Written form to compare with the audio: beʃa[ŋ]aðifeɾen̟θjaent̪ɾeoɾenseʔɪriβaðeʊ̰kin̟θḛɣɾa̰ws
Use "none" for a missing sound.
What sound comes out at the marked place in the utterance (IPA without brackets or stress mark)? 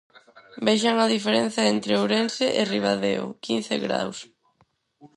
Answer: ŋ